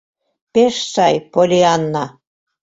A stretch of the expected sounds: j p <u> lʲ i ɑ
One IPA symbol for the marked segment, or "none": o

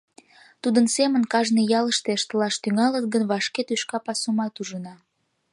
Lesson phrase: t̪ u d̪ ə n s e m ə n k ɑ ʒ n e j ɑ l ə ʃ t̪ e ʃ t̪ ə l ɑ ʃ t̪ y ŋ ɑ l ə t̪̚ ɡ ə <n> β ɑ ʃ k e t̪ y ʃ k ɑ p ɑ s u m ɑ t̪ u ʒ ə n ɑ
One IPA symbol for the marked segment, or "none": n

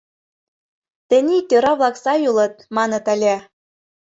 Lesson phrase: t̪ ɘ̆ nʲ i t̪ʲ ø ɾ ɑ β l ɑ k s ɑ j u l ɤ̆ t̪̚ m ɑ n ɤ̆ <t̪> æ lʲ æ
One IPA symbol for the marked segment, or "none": t̪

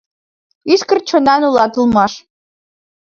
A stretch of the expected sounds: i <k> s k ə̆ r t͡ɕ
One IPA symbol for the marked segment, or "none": none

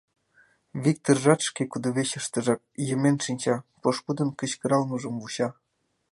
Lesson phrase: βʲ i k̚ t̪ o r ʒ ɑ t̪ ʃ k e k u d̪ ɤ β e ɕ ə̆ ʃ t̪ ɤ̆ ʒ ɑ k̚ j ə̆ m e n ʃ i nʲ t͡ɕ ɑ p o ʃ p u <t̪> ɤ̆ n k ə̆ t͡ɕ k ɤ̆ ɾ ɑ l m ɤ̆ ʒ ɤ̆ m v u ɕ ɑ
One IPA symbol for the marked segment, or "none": d̪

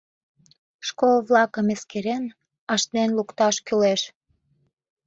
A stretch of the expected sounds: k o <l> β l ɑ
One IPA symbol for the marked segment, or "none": l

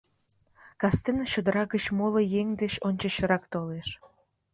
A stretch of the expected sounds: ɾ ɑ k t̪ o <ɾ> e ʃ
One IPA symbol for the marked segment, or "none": l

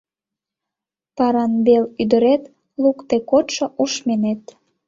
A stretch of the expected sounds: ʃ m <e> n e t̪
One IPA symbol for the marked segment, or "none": e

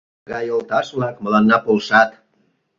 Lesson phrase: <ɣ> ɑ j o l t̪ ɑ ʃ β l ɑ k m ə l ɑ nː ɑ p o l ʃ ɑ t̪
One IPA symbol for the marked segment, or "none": ɣ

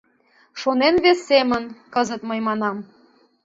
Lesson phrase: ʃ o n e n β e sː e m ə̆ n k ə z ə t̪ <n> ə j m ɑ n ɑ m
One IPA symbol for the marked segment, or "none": m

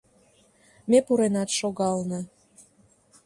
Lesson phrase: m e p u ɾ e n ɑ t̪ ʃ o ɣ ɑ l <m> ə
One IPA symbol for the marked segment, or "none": n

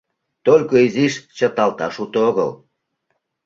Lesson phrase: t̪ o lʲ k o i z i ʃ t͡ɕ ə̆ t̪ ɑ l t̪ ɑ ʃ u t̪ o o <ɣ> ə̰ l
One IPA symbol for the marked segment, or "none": ɣ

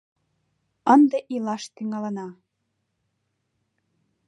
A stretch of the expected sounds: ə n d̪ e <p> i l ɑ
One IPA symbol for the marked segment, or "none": ʔ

